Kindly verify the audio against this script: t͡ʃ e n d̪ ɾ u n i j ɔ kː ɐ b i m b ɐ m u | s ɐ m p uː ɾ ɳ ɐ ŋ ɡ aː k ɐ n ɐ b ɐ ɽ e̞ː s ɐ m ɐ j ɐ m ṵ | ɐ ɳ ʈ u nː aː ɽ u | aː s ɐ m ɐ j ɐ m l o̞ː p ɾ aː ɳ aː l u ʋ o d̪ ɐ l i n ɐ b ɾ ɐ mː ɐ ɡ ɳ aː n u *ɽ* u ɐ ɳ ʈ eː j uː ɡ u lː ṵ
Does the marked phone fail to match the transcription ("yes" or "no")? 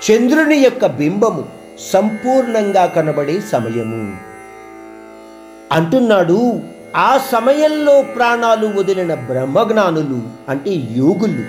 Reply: yes